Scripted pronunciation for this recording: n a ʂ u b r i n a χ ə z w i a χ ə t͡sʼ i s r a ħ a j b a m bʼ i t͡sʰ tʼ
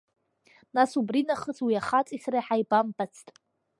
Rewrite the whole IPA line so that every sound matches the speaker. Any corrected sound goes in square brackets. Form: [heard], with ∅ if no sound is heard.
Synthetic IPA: n a [s] u b r i n a χ ə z w i a χ [a] t͡sʼ i s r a ħ a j b a m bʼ [a] t͡sʰ tʼ